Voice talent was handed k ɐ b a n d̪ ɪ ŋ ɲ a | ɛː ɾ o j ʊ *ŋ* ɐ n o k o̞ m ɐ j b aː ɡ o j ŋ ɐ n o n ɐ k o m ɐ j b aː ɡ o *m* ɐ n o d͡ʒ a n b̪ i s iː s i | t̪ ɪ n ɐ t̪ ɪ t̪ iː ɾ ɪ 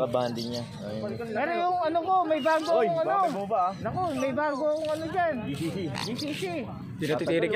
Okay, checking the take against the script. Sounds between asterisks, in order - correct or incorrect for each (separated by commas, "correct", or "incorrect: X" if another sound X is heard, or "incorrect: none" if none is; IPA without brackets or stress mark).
correct, incorrect: ŋ